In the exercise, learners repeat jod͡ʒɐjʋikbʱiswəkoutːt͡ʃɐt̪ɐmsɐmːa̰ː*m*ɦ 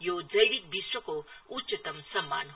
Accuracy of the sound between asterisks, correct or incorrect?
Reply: incorrect